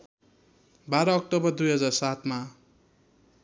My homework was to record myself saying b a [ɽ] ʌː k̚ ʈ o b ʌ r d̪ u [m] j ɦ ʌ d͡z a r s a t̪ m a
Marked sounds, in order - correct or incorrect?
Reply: incorrect: ɾ, incorrect: none

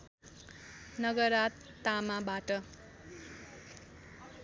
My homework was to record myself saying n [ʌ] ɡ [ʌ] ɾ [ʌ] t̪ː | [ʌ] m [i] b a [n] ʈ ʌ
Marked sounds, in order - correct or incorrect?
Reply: correct, correct, incorrect: a, incorrect: a, incorrect: a, incorrect: none

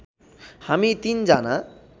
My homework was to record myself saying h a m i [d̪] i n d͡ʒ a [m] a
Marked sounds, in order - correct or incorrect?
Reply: incorrect: t̪, incorrect: n

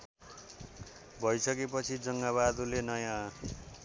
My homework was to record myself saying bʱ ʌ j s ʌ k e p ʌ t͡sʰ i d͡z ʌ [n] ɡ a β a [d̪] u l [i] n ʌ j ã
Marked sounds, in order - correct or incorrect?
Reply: incorrect: ŋ, correct, incorrect: e

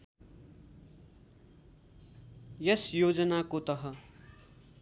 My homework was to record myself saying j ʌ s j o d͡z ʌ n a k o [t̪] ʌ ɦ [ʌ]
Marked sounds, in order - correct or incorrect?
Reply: correct, correct

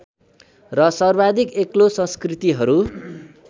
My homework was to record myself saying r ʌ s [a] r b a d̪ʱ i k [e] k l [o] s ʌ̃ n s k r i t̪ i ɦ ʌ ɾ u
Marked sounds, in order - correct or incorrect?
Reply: incorrect: ʌ, correct, correct

